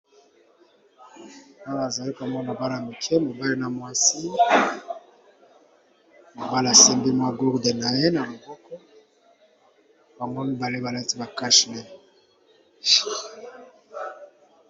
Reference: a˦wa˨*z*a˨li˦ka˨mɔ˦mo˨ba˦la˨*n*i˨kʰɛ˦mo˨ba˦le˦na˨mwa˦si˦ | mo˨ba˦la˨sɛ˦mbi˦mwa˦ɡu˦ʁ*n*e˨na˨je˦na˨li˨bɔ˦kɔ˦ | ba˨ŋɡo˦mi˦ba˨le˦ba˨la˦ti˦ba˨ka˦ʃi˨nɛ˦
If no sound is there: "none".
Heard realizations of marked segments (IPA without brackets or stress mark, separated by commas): z, m, d